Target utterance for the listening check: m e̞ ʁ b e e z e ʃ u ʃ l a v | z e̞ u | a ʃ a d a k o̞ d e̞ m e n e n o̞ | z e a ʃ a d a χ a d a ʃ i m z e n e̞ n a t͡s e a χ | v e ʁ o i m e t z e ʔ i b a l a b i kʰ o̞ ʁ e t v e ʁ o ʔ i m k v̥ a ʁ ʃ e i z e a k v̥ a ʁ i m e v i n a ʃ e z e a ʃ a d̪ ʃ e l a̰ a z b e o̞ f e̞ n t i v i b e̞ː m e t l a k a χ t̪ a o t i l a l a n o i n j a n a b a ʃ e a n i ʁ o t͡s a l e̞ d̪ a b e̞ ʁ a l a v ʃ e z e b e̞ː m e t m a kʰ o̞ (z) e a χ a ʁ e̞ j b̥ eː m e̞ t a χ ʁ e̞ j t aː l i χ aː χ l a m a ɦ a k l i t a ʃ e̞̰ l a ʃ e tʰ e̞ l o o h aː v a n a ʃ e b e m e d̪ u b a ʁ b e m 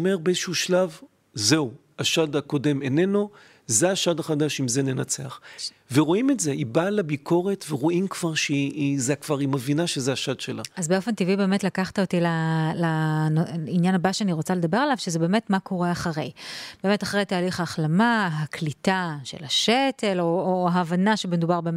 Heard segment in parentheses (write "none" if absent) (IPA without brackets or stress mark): ʁ